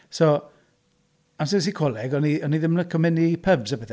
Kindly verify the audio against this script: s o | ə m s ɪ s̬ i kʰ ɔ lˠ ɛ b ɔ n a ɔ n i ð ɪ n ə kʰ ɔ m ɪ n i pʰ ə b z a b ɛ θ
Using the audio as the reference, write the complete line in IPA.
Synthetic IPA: s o | a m s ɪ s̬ i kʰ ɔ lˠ ɛ ɡ ɔ n i ɔ n i ð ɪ m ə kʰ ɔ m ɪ n i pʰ ə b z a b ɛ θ